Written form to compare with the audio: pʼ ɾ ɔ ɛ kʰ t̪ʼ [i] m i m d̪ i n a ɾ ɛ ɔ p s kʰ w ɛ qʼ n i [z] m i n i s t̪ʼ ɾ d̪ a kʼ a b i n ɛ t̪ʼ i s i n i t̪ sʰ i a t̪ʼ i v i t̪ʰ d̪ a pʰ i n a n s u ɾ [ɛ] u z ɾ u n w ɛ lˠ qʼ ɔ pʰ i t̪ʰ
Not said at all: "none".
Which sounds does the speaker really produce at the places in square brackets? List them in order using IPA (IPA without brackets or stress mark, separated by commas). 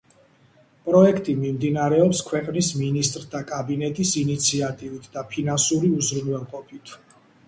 i, s, i